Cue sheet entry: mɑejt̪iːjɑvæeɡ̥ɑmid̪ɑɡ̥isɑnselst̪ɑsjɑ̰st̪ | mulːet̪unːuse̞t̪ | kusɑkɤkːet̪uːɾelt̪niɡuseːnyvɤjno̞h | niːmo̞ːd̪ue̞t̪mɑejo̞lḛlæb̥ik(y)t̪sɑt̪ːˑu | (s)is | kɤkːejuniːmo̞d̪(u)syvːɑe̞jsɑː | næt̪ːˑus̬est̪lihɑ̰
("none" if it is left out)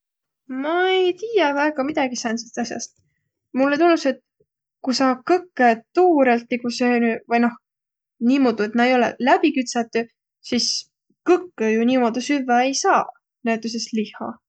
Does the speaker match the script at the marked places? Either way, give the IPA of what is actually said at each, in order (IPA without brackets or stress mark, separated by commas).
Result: y, s, u